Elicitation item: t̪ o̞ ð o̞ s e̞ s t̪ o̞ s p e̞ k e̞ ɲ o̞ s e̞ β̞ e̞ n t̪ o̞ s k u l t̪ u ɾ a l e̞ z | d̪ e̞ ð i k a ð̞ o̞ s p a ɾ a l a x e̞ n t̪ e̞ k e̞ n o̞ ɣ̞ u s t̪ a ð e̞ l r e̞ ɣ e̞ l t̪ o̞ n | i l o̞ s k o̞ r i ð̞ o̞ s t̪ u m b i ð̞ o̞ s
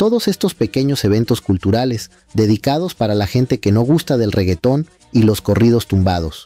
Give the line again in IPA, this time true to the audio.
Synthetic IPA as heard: t̪ o̞ ð o̞ s e̞ s t̪ o̞ s p e̞ k e̞ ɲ o̞ s e̞ β̞ e̞ n t̪ o̞ s k u l t̪ u ɾ a l e̞ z | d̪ e̞ ð i k a ð̞ o̞ s p a ɾ a l a x e̞ n t̪ e̞ k e̞ n o̞ ɣ̞ u s t̪ a ð e̞ l r e̞ ɣ e̞ t̪ o̞ n | i l o̞ s k o̞ r i ð̞ o̞ s t̪ u m b a ð̞ o̞ s